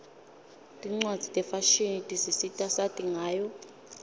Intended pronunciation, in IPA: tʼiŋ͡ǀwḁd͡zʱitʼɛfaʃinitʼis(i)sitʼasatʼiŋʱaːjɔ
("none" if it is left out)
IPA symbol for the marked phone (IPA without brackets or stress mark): i